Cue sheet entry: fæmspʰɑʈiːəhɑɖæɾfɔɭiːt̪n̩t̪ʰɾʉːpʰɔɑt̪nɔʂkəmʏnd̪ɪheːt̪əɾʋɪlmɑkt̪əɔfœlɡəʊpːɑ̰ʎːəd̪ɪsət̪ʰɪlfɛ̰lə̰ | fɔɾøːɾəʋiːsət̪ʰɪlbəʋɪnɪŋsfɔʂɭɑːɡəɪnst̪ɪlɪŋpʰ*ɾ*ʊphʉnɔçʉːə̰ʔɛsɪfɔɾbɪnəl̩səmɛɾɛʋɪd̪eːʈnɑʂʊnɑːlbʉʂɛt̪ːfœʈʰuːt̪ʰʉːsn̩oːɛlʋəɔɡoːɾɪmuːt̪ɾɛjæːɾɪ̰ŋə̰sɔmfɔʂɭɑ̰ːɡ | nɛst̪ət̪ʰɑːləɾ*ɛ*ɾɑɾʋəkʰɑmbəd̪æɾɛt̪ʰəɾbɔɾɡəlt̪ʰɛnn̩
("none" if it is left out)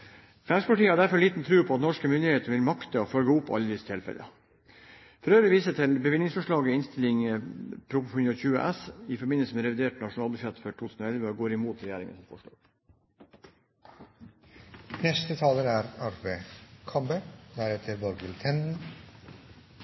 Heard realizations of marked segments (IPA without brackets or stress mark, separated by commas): ɾ, æ